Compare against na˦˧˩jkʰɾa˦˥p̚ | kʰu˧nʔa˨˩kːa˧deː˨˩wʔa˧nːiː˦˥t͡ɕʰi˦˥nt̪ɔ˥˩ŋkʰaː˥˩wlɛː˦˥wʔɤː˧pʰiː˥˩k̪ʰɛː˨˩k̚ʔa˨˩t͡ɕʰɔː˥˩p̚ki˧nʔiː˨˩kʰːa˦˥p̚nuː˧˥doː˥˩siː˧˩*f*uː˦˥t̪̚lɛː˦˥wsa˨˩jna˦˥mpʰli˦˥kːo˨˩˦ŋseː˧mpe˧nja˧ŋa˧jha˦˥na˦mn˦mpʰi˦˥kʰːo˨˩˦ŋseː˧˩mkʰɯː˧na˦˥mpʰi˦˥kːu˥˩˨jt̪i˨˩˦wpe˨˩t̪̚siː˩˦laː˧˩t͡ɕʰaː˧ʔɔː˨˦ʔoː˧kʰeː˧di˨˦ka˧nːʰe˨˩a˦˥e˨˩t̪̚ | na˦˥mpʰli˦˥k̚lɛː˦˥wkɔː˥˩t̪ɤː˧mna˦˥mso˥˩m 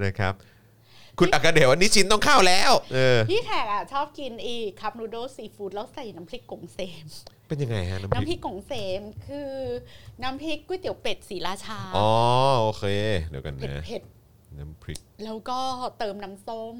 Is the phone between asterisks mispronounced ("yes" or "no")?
no